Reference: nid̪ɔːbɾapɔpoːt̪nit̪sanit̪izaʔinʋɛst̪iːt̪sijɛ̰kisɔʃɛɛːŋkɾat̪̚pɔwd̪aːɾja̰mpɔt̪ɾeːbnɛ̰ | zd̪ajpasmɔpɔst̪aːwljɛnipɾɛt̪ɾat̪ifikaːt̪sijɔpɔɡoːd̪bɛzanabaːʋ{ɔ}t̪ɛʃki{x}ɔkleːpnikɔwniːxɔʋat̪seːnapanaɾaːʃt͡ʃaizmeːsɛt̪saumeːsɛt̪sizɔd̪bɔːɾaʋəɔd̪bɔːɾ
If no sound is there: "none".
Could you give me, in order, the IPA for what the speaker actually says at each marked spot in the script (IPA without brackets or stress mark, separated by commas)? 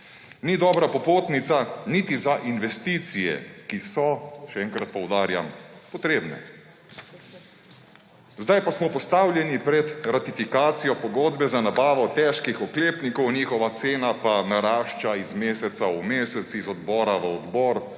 ɔ, x